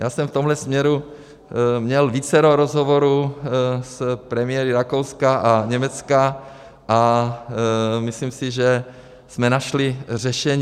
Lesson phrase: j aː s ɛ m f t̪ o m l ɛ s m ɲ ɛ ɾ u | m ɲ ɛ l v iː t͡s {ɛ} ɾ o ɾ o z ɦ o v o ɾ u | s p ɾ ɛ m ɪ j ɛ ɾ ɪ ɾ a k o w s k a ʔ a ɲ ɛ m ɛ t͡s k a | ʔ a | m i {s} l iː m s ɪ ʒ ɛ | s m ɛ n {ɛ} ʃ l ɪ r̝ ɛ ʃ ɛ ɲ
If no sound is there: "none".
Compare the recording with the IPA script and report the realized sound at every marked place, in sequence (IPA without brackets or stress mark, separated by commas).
ɛ, s, a